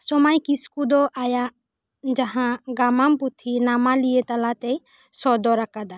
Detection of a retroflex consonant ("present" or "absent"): absent